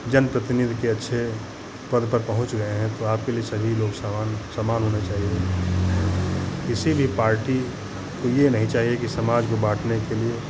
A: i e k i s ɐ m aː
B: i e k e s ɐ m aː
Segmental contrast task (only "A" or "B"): A